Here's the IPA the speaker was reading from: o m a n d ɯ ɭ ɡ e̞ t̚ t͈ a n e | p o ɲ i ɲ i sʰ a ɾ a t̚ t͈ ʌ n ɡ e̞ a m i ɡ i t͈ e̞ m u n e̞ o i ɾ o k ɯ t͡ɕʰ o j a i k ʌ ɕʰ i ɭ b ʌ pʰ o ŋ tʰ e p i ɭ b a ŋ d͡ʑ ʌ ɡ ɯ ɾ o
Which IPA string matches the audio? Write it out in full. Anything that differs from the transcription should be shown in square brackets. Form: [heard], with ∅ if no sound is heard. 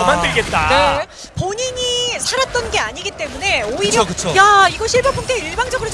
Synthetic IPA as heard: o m a n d ɯ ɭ ɡ e̞ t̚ t͈ a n e | p o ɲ i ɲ i sʰ a ɾ a t̚ t͈ ʌ n ɡ e̞ a [ɲ] i ɡ i t͈ e̞ m u n e̞ o i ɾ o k ɯ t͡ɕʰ o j a i [ɡ] ʌ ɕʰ i ɭ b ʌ pʰ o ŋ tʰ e [∅] i ɭ b a ŋ d͡ʑ ʌ ɡ ɯ ɾ o